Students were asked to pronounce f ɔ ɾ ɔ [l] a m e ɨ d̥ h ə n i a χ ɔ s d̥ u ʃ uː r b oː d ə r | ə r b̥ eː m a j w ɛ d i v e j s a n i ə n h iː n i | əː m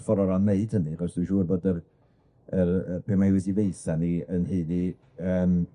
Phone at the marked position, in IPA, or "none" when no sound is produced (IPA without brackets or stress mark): ɾ